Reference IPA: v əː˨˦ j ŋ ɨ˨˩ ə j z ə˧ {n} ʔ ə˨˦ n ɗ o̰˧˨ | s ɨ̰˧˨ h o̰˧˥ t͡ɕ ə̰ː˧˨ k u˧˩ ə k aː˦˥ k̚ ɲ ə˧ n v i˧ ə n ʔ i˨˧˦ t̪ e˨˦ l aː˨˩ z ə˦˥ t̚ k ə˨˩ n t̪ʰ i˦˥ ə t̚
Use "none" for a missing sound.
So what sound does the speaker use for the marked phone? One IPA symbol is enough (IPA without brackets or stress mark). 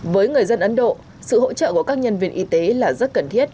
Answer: n